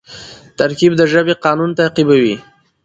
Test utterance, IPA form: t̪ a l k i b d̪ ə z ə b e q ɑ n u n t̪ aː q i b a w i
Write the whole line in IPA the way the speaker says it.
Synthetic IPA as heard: t̪ a ɾ k i b d̪ ə ʒ ə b e q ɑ n u n t̪ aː q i b a w i